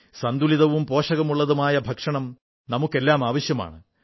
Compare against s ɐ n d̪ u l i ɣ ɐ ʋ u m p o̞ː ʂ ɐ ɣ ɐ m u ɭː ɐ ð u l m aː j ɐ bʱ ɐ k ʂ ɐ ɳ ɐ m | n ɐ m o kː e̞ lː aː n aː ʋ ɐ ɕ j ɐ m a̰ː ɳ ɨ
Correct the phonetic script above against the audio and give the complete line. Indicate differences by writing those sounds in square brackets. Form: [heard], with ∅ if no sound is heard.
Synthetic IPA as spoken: s ɐ n d̪ u l i [ð] ɐ ʋ u m p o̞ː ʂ ɐ ɣ ɐ m u ɭː ɐ ð u [∅] m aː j ɐ bʱ ɐ k ʂ ɐ ɳ ɐ m | n ɐ m [u] kː e̞ lː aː [m] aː ʋ ɐ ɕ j ɐ m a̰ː ɳ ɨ